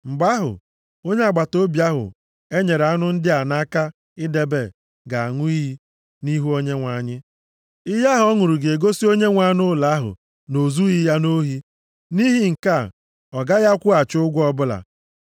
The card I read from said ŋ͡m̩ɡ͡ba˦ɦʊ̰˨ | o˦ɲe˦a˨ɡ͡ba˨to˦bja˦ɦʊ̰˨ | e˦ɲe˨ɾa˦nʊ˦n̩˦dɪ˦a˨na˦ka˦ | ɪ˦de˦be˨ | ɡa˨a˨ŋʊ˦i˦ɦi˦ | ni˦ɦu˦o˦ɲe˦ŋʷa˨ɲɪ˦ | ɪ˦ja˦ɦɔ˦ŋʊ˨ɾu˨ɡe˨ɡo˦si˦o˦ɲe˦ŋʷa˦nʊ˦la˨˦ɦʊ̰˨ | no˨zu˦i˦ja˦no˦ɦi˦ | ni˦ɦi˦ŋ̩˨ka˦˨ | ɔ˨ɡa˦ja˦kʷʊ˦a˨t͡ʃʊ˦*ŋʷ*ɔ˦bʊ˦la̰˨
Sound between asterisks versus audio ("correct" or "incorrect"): incorrect